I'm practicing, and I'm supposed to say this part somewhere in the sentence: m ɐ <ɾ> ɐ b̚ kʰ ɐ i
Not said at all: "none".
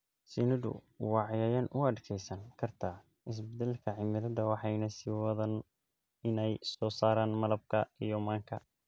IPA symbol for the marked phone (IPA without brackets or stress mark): l